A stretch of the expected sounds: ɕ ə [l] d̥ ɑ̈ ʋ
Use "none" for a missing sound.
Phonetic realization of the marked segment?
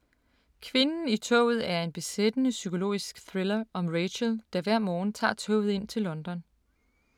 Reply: l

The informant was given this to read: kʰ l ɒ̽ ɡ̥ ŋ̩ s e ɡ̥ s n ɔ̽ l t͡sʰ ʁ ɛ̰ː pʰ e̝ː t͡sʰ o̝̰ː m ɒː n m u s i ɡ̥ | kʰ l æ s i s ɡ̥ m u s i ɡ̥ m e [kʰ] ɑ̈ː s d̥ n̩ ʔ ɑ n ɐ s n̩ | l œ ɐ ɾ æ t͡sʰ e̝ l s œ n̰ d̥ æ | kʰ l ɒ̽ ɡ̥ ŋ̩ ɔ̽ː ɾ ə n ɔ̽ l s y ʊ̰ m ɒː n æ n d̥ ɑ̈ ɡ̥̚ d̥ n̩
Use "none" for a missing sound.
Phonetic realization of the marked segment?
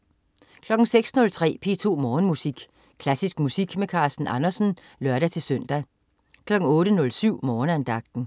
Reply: kʰ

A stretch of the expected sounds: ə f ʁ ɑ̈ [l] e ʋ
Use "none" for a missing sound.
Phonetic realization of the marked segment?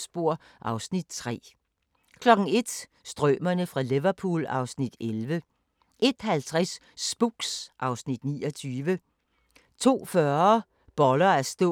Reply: l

